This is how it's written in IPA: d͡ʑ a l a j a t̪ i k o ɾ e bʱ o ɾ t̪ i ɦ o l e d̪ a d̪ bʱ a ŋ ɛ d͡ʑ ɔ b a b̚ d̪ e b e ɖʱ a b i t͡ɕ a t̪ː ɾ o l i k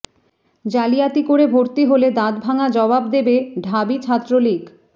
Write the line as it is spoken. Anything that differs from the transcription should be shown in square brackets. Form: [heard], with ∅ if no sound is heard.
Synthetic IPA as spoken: d͡ʑ a l [i] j a t̪ i k o ɾ e bʱ o ɾ t̪ i ɦ o l e d̪ a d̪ bʱ a ŋ [a] d͡ʑ ɔ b a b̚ d̪ e b e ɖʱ a b i [t͡ɕʰ] a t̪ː ɾ o l i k

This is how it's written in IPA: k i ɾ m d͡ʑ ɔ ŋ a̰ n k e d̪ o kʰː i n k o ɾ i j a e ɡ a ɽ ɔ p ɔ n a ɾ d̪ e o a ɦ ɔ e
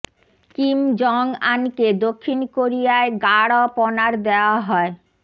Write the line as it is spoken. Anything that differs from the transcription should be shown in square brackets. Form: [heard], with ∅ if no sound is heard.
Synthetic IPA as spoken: k i [∅] m d͡ʑ ɔ ŋ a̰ n k e d̪ o kʰː i n k o ɾ i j a e ɡ a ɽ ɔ p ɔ n a ɾ d̪ e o a ɦ ɔ e

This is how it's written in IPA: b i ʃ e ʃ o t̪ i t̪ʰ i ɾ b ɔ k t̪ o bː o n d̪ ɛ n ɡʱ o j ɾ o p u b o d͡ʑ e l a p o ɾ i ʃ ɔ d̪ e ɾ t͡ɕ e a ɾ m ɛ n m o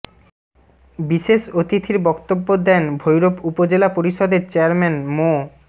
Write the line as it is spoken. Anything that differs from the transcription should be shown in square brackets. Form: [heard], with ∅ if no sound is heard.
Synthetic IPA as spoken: b i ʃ e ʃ o t̪ i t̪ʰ i ɾ b ɔ k t̪ o bː o [∅] d̪ ɛ n [bʱ] o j ɾ o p u [p] o d͡ʑ e l a p o ɾ i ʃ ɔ d̪ e ɾ t͡ɕ e a ɾ m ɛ n m o

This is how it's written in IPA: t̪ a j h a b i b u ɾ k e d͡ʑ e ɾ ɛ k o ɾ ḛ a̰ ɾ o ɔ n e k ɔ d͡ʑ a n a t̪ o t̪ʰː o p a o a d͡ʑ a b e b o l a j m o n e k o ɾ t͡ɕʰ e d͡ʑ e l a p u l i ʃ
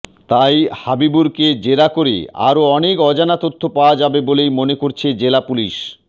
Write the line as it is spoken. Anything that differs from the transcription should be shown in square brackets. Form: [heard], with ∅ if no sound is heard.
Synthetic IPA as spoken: t̪ a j h a b i b u ɾ k e d͡ʑ e ɾ [a] k o ɾ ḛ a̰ ɾ o ɔ n e k ɔ d͡ʑ a n a t̪ o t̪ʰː o p a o a d͡ʑ a b e b o l [e] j m o n e k o ɾ t͡ɕʰ e d͡ʑ e l a p u l i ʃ

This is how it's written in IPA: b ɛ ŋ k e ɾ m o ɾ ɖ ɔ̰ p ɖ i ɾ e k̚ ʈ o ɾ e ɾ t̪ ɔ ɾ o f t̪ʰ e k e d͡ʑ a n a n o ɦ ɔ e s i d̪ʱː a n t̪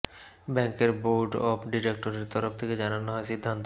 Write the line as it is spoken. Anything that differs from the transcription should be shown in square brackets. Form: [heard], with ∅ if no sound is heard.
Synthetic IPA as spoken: b ɛ ŋ k e ɾ [b] o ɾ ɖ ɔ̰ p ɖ i ɾ e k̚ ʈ o ɾ e ɾ t̪ ɔ ɾ o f t̪ʰ e k e d͡ʑ a n a n o ɦ ɔ e s i d̪ʱː a n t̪

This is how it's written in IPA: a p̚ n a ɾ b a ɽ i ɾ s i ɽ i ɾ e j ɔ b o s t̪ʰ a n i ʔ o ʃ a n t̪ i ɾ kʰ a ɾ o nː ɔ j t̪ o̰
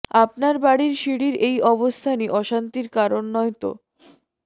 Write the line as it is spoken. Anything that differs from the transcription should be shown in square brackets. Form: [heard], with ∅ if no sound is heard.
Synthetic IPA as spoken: a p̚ n a ɾ b a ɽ i ɾ [ʃ] i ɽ i ɾ e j ɔ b o s t̪ʰ a n i ʔ [ɔ] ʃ a n t̪ i ɾ [k] a ɾ o nː ɔ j t̪ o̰

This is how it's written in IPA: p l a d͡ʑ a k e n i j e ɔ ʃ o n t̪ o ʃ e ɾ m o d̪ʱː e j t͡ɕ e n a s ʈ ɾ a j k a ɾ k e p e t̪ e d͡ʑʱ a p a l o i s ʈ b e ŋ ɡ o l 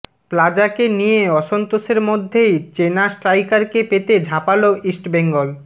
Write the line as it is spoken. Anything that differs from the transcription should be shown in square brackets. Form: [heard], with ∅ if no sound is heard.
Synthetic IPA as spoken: p l a d͡ʑ a k e n i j e ɔ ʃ o n t̪ o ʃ e ɾ m o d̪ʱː e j t͡ɕ e n a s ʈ ɾ a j k a ɾ k e p e t̪ e d͡ʑʱ a p a l o i s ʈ b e ŋ ɡ o l

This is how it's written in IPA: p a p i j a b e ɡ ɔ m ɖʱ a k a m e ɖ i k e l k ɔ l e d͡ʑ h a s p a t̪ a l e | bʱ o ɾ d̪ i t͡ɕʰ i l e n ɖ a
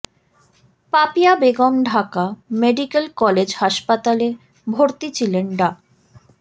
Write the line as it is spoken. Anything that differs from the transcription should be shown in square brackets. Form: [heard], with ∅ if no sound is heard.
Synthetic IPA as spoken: p a p i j a b e ɡ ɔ m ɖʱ a k a m e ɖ i k e l k ɔ l e d͡ʑ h a [ʃ] p a t̪ a l e | bʱ o ɾ [t̪] i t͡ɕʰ i l e n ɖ a

